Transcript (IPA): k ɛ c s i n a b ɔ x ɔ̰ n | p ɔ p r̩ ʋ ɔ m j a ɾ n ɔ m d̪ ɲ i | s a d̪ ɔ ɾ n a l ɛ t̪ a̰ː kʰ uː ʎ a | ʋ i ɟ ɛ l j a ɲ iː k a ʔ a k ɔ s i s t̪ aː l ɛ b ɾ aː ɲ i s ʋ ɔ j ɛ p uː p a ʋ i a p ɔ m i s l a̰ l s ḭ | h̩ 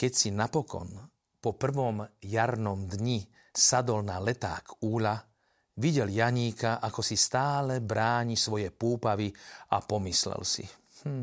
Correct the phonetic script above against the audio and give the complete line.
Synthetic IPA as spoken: k ɛ c s i n a p ɔ k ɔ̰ n | p ɔ p r̩ ʋ ɔ m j a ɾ n ɔ m d̪ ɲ i | s a d̪ ɔ l n a l ɛ t̪ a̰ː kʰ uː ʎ a | ʋ i ɟ ɛ l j a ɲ iː k a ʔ a k ɔ s i s t̪ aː l ɛ b ɾ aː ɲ i s ʋ ɔ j ɛ p uː p a ʋ i a p ɔ m i s l ɛ̰ l s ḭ | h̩